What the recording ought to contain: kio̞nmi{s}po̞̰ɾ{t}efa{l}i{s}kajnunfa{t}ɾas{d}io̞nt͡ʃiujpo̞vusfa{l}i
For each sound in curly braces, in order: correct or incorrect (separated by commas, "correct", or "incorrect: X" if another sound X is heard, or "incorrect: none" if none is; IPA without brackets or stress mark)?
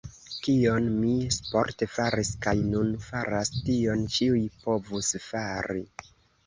correct, correct, incorrect: ɾ, correct, incorrect: none, incorrect: t, incorrect: ɾ